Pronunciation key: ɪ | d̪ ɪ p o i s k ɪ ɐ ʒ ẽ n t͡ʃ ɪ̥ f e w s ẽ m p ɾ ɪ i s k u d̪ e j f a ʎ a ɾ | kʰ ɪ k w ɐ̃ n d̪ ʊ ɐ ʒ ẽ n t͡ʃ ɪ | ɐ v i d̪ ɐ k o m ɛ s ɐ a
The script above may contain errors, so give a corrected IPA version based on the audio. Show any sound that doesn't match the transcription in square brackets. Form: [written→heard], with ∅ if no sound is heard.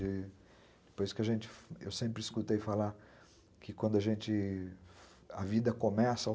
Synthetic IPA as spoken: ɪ | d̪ ɪ p o [i→j] s k ɪ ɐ ʒ ẽ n t͡ʃ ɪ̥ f e w s ẽ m p ɾ ɪ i s k u [d̪→t̪] e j f a [ʎ→l] a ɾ | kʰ ɪ k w ɐ̃ n d̪ ʊ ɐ ʒ ẽ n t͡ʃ ɪ | ɐ v i d̪ ɐ k o m ɛ s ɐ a